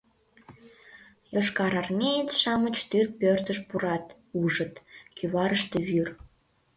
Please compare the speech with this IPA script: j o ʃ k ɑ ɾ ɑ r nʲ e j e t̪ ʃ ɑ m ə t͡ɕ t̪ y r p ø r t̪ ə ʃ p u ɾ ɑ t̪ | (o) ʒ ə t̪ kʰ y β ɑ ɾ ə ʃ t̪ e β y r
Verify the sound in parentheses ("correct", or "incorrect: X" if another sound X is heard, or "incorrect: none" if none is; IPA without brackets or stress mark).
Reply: incorrect: u